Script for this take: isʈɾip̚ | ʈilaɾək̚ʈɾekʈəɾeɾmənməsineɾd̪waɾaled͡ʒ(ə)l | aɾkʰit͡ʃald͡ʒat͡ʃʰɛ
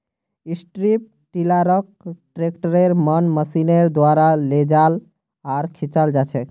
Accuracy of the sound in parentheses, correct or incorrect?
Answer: incorrect: a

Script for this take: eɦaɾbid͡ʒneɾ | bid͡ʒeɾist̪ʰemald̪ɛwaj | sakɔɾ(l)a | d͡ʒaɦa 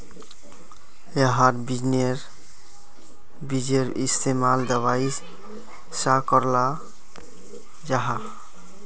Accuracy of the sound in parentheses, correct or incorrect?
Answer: correct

